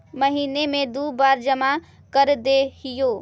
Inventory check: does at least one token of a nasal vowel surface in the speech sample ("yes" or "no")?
no